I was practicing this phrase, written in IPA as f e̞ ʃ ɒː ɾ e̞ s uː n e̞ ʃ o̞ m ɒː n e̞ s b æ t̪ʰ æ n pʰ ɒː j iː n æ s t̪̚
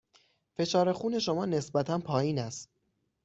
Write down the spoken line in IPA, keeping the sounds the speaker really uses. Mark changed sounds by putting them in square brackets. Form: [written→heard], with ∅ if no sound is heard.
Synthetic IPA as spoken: f e̞ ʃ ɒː ɾ e̞ [s→x] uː n e̞ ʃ o̞ m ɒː n e̞ s b æ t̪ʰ æ n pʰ ɒː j iː n æ s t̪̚